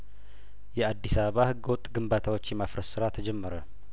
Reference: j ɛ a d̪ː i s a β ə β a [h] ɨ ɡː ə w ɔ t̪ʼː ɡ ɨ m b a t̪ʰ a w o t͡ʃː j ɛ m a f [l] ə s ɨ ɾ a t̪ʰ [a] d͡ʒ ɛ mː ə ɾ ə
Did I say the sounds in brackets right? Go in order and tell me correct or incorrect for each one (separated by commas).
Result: correct, incorrect, incorrect